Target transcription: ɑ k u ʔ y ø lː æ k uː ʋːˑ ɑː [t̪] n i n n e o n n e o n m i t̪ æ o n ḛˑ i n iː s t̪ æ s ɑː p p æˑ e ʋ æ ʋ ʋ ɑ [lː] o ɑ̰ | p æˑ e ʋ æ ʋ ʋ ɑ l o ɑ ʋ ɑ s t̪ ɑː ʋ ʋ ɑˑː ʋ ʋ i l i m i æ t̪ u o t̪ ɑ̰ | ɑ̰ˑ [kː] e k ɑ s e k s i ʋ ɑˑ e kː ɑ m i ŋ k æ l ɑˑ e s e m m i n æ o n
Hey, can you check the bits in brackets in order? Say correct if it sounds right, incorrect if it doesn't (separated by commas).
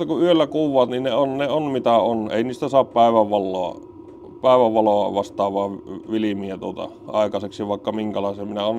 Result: correct, correct, incorrect